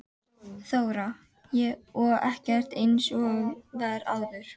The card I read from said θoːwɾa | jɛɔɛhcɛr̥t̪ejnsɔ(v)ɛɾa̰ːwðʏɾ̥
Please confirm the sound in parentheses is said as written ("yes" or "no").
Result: yes